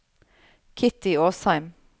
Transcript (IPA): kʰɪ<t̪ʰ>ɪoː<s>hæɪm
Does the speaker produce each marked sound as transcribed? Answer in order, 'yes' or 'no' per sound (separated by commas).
no, yes